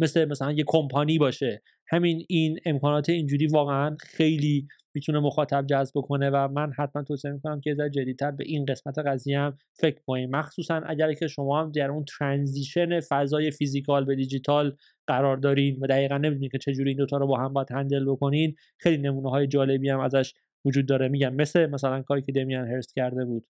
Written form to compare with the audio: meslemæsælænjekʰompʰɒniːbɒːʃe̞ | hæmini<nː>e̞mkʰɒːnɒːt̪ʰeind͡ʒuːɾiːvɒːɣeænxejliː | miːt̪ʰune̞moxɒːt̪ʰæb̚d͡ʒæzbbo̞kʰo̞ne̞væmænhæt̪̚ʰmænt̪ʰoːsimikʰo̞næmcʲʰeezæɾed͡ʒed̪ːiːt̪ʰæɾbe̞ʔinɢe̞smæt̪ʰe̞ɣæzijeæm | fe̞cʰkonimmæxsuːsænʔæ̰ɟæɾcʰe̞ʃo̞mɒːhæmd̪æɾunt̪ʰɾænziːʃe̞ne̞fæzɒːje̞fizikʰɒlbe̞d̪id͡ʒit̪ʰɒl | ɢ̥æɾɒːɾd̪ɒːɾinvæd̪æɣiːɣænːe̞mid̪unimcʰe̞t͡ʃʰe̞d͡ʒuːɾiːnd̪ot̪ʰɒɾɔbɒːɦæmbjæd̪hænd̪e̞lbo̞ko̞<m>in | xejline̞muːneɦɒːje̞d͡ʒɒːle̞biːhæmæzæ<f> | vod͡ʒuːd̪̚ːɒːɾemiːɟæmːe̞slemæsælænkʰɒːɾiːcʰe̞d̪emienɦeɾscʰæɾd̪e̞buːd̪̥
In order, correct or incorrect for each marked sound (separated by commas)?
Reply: incorrect, incorrect, incorrect